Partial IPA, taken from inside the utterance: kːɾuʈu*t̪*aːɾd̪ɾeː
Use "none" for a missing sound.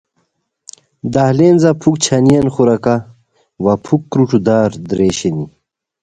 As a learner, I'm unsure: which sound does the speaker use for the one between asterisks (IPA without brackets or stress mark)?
d̪